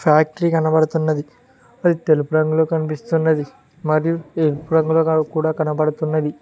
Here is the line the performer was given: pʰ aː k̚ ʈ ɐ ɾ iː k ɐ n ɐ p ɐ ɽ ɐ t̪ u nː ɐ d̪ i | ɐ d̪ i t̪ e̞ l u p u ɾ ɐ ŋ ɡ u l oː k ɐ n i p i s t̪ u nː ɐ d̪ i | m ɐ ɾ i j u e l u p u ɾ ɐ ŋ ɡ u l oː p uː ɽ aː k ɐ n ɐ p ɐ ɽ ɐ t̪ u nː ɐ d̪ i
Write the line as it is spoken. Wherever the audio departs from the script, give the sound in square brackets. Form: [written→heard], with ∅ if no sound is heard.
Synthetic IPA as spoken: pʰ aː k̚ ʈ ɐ ɾ iː k ɐ n ɐ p ɐ ɽ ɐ t̪ u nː ɐ d̪ i | ɐ d̪ i t̪ e̞ l u p u ɾ ɐ ŋ ɡ u l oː k ɐ n i p i s t̪ u nː ɐ d̪ i | m ɐ ɾ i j u e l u p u ɾ ɐ ŋ ɡ u l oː [p→k] uː ɽ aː k ɐ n ɐ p ɐ ɽ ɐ t̪ u nː ɐ d̪ i